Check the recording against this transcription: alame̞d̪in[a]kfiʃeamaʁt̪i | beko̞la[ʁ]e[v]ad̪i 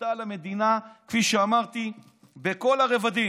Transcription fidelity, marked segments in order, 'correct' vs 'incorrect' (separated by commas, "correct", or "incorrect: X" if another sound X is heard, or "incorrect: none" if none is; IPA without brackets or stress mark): correct, correct, correct